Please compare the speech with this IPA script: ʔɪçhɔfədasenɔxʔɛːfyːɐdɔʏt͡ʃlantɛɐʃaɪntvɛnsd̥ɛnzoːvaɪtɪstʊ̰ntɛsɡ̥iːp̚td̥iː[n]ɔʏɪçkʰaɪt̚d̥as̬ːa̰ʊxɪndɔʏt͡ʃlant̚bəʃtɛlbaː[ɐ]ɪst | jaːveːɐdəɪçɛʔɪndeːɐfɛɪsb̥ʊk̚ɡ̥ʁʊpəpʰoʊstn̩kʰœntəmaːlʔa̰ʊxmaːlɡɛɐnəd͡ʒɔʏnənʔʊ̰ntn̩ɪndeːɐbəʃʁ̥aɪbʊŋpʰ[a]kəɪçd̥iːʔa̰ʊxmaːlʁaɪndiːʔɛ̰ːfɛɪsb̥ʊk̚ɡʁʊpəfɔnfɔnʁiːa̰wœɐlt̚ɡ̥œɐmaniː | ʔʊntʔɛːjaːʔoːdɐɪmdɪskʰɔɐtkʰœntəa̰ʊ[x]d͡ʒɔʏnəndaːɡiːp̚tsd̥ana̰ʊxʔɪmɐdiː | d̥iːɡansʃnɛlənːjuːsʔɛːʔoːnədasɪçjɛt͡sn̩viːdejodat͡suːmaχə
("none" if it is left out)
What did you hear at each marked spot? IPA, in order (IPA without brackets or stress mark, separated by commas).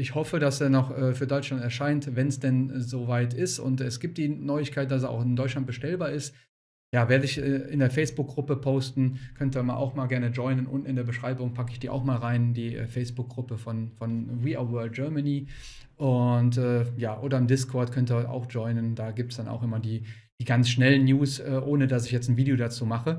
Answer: n, ɐ, a, x